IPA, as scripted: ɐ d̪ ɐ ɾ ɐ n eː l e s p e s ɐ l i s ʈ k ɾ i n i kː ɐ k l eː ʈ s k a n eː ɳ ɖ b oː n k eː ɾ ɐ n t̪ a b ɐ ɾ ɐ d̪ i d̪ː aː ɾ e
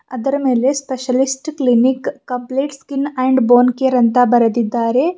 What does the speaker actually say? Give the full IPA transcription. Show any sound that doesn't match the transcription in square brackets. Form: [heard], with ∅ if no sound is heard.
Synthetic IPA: ɐ d̪ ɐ ɾ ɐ [m] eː l e s p e [ʃ] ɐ l i s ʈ k [l] i n i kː ɐ [p] l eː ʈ s k [i] n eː ɳ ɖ b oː n k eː ɾ ɐ n t̪ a b ɐ ɾ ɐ d̪ i d̪ː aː ɾ e